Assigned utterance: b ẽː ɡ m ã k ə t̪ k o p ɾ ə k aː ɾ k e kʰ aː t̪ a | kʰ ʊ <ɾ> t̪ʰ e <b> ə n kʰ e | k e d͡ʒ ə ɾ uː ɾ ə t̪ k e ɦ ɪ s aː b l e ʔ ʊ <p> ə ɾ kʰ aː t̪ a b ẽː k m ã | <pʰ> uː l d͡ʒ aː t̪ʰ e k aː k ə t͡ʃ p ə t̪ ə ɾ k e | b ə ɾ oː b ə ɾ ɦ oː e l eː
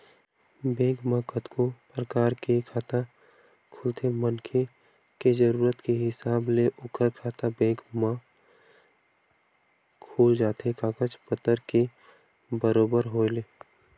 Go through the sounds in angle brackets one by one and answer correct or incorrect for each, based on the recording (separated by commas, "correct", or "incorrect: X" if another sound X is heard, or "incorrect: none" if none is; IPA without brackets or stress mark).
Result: incorrect: l, incorrect: m, incorrect: k, incorrect: kʰ